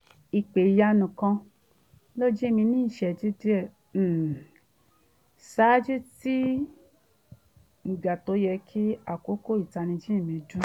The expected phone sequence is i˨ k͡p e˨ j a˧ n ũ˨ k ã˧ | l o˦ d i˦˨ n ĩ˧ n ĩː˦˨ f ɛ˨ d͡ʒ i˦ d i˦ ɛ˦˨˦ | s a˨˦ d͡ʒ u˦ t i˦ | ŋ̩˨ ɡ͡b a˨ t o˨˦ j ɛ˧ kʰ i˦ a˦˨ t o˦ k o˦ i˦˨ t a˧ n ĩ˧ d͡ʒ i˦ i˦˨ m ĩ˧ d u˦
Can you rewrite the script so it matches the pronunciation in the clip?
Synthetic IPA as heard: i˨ k͡p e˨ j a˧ n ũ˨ k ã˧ | l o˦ d͡ʒ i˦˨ m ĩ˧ n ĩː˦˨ ʃ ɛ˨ d͡ʒ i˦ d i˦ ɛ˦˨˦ | s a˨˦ d͡ʒ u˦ t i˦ | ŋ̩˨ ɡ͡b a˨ t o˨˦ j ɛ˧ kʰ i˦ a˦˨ k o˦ k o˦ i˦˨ t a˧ n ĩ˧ d͡ʒ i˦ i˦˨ m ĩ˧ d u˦